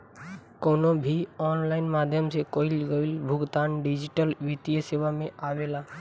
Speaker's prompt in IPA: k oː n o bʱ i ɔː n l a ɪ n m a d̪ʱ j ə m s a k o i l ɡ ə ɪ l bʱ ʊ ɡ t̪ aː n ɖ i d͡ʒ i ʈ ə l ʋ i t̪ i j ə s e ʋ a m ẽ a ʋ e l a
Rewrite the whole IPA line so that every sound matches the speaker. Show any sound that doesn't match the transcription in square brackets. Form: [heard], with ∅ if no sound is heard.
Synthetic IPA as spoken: k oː n o bʱ i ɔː n l a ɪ n m a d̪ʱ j ə m s [e] k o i l ɡ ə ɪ l bʱ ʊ ɡ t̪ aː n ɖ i d͡ʒ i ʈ ə l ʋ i t̪ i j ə s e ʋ a m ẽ a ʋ e l a